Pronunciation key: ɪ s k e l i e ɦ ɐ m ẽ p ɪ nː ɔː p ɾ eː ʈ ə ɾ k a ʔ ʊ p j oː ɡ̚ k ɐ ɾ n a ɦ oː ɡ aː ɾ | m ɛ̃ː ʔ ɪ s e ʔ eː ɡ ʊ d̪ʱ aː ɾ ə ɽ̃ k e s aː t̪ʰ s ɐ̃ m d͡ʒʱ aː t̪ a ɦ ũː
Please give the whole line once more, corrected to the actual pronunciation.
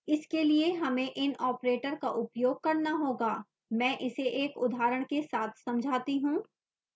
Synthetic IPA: ɪ s k e l i e ɦ ɐ m ẽ ʔ ɪ n ɔː p ɾ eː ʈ ə ɾ k a ʔ ʊ p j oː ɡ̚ k ɐ ɾ n a ɦ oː ɡ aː | m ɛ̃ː ʔ ɪ s e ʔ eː k ʊ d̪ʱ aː ɾ ə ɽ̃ k e s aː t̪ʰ s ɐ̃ m d͡ʒʱ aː t̪ i ɦ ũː

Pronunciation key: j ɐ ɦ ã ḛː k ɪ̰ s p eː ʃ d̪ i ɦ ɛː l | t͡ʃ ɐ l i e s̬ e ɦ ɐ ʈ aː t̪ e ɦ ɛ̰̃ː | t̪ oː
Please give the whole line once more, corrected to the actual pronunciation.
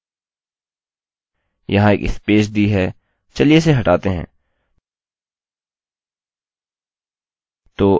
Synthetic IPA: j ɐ ɦ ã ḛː k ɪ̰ s p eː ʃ d̪ i ɦ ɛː | t͡ʃ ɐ l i e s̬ e ɦ ɐ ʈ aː t̪ e ɦ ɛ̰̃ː | t̪ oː

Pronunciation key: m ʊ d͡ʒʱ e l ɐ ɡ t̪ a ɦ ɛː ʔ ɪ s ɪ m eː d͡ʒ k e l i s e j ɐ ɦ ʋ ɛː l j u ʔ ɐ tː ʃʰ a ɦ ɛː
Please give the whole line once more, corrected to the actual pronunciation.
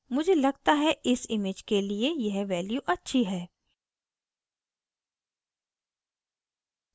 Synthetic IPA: m ʊ d͡ʒʱ e l ɐ ɡ t̪ a ɦ ɛ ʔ ɪ s ɪ m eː d͡ʒ k e l i e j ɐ ɦ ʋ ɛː l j u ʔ ɐ tː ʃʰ i ɦ ɛː

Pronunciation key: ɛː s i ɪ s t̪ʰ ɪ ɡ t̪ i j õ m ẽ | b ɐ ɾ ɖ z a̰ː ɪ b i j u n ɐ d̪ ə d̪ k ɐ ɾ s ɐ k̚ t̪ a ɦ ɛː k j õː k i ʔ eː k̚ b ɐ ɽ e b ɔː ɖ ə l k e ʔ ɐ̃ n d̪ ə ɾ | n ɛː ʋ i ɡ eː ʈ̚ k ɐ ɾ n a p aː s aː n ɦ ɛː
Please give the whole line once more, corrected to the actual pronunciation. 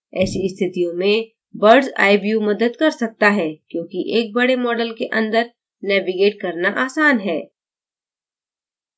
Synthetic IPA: ɛː s i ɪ s t̪ʰ ɪ t̪ i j õ m ẽ | b ɐ ɾ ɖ z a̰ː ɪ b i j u m ɐ d̪ ə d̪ k ɐ ɾ s ɐ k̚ t̪ a ɦ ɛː k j õː k i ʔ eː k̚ b ɐ ɽ e m ɔː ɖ ə l k e ʔ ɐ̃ n d̪ ə ɾ | n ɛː ʋ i ɡ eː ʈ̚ k ɐ ɾ n a ʔ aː s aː n ɦ ɛː

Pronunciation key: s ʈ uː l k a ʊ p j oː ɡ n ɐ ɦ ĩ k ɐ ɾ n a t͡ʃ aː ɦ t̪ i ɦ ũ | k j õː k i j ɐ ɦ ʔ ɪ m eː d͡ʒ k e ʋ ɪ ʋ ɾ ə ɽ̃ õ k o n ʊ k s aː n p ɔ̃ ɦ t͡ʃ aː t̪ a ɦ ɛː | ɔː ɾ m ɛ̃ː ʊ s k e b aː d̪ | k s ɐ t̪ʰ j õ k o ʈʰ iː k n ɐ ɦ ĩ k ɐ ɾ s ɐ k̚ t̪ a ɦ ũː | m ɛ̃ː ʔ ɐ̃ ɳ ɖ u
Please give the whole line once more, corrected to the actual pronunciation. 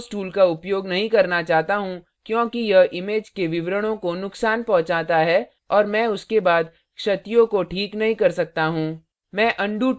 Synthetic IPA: s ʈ uː l k a ʊ p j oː ɡ n ɐ ɦ ĩ k ɐ ɾ n a t͡ʃ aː ɦ t̪ a ɦ ũ | k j õː k i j ɐ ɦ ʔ ɪ m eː d͡ʒ k e ʋ ɪ ʋ ɾ ə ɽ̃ õ k o n ʊ k s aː n p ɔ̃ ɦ t͡ʃ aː t̪ a ɦ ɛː | ɔː ɾ m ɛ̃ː ʊ s k e b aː d̪ | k ʃ ɐ t̪ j õ k o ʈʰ iː k n ɐ ɦ ĩ k ɐ ɾ s ɐ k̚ t̪ a ɦ ũː | m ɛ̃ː ʔ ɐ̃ ɳ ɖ u

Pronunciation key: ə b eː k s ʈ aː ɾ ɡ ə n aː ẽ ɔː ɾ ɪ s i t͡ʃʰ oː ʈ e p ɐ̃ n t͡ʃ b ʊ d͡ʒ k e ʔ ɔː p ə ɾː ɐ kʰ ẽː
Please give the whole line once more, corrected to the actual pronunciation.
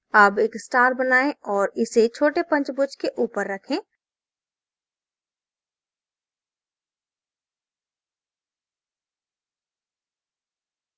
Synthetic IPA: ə b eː k s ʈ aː ɾ b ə n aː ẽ ɔː ɾ ɪ s e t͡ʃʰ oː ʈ e p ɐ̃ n t͡ʃ b ʊ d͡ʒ k e ʔ uː p ə ɾː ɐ kʰ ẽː

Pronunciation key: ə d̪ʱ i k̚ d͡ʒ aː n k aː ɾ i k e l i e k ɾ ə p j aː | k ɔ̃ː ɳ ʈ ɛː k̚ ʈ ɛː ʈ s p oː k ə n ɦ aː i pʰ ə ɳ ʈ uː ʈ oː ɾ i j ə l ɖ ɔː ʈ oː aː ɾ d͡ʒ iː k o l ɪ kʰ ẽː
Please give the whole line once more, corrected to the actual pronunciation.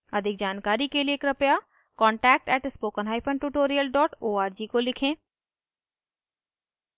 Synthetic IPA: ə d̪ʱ ɪ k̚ d͡ʒ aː n k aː ɾ i k e l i e k ɾ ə p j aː | k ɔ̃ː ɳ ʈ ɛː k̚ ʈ ɛː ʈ s p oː k ə n ɦ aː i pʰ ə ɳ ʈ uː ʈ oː ɾ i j ə l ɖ ɔː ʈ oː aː ɾ d͡ʒ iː k o l ɪ kʰ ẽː

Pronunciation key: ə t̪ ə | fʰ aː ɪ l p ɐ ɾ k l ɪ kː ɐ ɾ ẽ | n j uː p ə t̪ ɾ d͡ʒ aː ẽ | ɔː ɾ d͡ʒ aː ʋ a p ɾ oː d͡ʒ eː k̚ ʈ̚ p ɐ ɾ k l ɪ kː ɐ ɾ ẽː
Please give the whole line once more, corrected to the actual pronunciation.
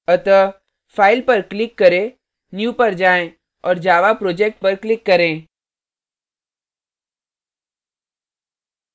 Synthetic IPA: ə t̪ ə | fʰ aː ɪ l p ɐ ɾ k l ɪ kː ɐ ɾ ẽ | n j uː p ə ɾ d͡ʒ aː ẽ | ɔː ɾ d͡ʒ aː ʋ a p ɾ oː d͡ʒ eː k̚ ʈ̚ p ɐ ɾ k l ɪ kː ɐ ɾ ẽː

